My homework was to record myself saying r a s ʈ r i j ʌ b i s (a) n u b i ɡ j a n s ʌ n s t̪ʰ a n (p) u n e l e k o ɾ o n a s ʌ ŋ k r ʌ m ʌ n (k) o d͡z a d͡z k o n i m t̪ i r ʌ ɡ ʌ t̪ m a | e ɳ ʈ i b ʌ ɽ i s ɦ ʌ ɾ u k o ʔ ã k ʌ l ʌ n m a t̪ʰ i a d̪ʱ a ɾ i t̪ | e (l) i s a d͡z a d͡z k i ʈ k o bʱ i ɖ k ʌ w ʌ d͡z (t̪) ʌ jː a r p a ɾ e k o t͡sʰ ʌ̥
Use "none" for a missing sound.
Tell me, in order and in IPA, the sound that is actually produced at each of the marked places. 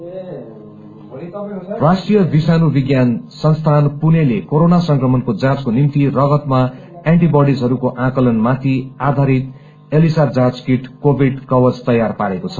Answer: a, p, k, l, t̪

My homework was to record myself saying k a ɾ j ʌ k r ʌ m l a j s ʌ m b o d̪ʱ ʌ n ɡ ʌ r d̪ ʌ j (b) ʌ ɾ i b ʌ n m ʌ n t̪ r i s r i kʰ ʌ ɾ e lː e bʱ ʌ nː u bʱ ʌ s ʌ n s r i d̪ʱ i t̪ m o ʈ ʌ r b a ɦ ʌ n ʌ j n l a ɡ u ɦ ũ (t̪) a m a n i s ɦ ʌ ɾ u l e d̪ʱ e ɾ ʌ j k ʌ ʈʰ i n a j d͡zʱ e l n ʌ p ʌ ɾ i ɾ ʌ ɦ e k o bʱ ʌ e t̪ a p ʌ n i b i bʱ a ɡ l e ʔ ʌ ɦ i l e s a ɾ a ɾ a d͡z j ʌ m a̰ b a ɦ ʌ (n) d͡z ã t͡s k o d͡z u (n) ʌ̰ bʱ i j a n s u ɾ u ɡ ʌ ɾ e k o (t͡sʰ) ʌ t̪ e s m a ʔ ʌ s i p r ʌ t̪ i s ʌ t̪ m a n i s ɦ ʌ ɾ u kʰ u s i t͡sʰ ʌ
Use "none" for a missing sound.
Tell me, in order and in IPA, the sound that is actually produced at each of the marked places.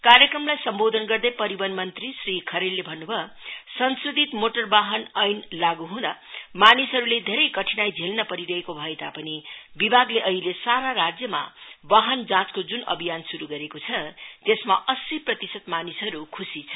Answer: p, d̪, n, n, t͡sʰ

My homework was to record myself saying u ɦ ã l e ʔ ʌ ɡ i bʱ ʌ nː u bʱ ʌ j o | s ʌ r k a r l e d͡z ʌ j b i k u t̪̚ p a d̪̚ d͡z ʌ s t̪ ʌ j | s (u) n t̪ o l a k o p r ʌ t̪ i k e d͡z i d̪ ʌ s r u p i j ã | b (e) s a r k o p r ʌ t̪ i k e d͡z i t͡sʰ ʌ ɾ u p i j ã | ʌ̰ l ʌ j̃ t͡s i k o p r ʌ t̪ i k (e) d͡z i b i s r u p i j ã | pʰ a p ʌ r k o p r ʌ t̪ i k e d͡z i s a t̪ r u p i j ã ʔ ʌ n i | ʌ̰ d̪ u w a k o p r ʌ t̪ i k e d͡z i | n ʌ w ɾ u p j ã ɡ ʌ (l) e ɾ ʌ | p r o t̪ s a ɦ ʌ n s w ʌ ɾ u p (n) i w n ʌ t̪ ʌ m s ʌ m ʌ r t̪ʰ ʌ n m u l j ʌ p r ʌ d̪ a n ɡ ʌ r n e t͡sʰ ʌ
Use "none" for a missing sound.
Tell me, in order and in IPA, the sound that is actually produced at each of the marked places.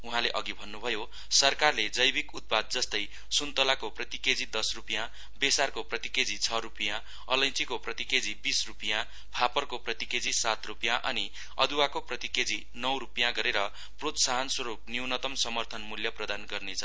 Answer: u, e, e, ɾ, n

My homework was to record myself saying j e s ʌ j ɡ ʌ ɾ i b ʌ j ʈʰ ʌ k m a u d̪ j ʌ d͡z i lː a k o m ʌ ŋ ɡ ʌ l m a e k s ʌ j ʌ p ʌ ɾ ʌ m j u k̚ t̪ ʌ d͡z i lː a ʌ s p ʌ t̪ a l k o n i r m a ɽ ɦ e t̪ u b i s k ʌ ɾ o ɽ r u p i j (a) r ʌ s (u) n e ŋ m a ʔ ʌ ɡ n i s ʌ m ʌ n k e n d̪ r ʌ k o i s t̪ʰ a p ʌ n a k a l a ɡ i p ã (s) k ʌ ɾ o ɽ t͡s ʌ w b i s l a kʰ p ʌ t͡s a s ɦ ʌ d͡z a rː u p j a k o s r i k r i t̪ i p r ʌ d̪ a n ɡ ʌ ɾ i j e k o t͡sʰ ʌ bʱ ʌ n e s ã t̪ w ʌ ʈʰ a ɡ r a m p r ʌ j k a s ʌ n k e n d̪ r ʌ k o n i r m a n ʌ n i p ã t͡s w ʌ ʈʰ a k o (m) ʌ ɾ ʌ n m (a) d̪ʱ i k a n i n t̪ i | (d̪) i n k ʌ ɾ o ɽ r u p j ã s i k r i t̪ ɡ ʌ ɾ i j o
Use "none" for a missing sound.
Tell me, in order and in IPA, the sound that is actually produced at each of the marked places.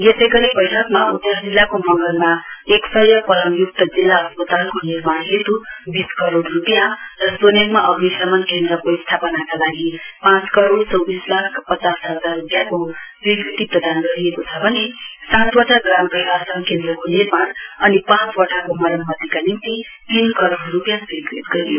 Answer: a, o, t͡s, m, ʌ, t̪

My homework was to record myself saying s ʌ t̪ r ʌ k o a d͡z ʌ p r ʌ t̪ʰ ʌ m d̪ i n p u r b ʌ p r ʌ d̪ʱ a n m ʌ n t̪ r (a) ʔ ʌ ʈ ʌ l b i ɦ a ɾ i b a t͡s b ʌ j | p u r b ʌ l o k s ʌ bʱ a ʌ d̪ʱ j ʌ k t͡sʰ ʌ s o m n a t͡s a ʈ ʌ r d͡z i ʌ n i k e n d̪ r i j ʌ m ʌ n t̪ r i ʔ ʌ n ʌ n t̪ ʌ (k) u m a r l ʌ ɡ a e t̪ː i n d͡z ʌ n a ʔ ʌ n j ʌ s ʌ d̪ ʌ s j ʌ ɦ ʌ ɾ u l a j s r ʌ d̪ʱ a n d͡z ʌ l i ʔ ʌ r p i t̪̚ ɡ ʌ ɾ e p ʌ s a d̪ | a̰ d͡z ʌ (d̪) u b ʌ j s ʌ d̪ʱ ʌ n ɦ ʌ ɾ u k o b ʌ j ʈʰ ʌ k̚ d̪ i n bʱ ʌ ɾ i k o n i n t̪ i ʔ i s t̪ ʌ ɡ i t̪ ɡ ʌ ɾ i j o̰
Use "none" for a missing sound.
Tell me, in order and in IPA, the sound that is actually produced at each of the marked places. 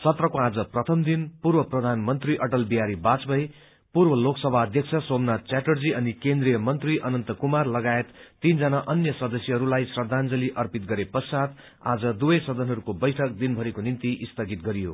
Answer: i, k, d̪

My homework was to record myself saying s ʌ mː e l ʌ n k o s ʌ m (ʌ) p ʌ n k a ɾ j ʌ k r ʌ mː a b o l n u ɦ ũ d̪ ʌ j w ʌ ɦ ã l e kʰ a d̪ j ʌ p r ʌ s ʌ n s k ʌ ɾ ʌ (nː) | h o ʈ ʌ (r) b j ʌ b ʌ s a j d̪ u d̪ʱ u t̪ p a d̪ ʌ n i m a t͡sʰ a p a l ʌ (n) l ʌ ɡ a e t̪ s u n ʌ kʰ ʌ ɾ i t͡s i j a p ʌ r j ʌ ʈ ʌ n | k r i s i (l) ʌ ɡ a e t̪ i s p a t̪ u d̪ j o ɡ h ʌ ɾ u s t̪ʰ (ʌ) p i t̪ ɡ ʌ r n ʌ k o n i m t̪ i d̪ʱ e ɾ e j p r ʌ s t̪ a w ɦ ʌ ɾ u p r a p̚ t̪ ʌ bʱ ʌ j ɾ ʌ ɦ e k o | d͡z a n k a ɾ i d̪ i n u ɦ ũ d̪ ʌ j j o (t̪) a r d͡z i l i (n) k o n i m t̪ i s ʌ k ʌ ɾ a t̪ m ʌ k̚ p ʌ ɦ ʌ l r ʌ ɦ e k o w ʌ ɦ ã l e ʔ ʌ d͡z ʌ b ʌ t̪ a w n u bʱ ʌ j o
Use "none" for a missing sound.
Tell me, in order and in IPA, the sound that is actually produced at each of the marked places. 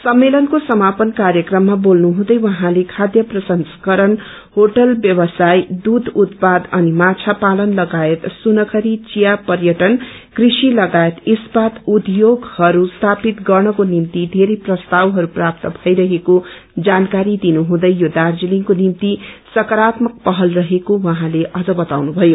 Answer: a, n, l, n, l, a, d̪, ŋ

